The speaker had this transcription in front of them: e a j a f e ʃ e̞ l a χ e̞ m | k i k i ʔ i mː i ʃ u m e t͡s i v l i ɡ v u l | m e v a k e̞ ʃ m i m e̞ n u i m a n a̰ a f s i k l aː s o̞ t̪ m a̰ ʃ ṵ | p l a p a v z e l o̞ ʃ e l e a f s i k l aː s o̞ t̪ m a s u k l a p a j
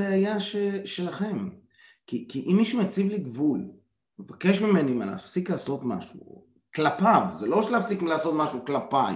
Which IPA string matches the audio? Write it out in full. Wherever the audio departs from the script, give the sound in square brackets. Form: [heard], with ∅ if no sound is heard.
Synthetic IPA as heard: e a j a [ʃ] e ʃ e̞ l a χ e̞ m | k i k i ʔ i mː i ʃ u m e t͡s i v l i ɡ v u l | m e v a k e̞ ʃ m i m e̞ n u i m a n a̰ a f s i k l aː s o̞ t̪ m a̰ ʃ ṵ | [k] l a p a v z e l o̞ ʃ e l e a f s i k l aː s o̞ t̪ m a [ʃ] u k l a p a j